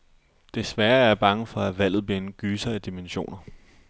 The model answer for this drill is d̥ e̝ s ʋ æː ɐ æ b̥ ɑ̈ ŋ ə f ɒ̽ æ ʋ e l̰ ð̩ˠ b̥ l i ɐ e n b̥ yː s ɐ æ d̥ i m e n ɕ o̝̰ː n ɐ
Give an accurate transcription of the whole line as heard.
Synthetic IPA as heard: d̥ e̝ s ʋ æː ɐ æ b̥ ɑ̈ ŋ ə f ɒ̽ æ ʋ æ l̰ ð̩ˠ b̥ l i ɐ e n ɡ̥ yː s ɐ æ d̥ i m e n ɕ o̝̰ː n ɐ